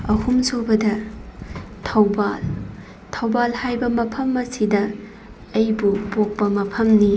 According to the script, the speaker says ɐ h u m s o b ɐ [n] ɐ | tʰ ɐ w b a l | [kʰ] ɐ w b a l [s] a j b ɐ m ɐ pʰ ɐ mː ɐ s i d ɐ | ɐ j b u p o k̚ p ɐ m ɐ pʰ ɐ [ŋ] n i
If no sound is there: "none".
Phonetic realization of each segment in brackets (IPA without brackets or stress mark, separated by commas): d, tʰ, h, m